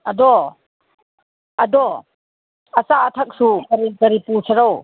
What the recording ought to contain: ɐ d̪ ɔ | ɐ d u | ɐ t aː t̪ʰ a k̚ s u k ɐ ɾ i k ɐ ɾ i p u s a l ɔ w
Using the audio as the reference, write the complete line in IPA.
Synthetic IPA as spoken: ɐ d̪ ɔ | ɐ d ɔ | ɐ s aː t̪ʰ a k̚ s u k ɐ ɾ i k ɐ ɾ i p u s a ɾ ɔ w